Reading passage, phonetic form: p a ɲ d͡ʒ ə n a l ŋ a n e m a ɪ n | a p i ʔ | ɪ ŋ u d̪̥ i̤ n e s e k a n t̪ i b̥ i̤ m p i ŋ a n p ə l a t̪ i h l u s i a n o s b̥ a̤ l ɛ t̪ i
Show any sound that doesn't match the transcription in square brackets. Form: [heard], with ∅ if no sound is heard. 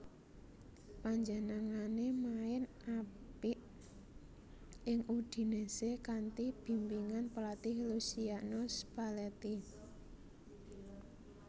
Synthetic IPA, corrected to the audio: p a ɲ d͡ʒ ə n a [∅] ŋ a n e m a ɪ n | a p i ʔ | ɪ ŋ u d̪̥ i̤ n e s e k a n t̪ i b̥ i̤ m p i ŋ a n p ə l a t̪ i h l u s i a n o s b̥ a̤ l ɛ t̪ i